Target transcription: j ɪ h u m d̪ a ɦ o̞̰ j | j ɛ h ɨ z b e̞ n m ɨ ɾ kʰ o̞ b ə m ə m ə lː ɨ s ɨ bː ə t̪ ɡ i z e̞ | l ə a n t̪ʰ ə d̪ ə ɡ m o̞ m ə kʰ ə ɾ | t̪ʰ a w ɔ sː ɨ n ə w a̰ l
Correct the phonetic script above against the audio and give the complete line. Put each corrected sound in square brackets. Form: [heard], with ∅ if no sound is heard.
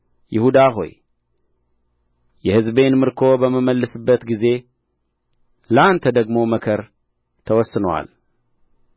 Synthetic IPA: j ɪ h u [∅] d̪ a ɦ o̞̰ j | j ɛ h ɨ z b e̞ n m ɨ ɾ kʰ o̞ b ə m ə m ə lː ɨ s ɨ bː ə t̪ ɡ i z e̞ | l ə a n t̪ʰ ə d̪ ə ɡ m o̞ m ə kʰ ə ɾ | t̪ʰ [ə] w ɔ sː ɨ n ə w a̰ l